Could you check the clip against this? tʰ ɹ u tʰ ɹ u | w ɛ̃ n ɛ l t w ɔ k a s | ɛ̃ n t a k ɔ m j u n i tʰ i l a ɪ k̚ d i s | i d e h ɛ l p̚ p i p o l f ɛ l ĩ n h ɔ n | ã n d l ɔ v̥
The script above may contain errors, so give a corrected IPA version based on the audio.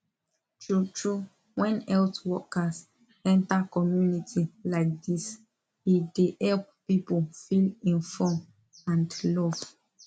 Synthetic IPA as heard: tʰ ɹ u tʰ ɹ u | w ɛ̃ n ɛ l t w ɔ k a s | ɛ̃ n t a k ɔ m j u n i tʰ i l a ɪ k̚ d i s | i d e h ɛ l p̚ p i p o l f i l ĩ n f ɔ m | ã n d l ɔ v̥